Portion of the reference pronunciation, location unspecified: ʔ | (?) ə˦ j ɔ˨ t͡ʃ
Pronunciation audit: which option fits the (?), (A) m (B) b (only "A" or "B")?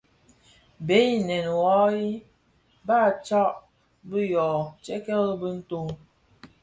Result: B